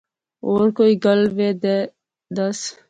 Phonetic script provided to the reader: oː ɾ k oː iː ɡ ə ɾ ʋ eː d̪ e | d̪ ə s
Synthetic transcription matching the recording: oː ɾ k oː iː ɡ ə l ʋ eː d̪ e | d̪ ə s